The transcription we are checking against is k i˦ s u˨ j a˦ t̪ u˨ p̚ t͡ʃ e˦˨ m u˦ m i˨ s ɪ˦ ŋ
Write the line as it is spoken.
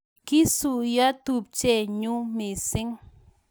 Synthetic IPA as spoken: k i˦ s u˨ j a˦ t̪ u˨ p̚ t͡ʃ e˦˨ ɲ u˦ m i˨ s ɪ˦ ŋ